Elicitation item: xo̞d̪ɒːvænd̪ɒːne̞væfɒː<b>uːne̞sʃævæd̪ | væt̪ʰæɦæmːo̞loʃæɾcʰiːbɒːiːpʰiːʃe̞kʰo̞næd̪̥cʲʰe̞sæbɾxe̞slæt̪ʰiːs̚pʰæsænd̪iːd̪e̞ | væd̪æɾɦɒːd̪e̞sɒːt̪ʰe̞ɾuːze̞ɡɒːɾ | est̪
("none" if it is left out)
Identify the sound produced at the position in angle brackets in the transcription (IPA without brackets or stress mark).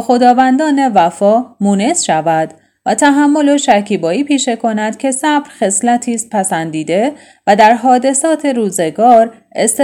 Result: m